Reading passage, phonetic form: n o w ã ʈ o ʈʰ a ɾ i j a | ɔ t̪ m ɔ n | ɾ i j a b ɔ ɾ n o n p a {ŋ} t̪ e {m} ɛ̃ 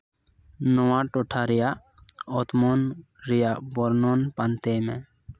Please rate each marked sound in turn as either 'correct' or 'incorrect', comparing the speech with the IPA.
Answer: incorrect: n, correct

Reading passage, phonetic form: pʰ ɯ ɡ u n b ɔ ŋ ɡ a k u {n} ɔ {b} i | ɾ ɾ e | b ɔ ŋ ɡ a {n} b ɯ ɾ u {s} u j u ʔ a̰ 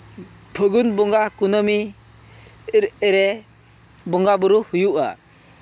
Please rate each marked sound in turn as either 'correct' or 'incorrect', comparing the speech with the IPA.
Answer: correct, incorrect: m, incorrect: none, incorrect: h

